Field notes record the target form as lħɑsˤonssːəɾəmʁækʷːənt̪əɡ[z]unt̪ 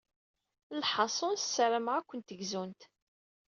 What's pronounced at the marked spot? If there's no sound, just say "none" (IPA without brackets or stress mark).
z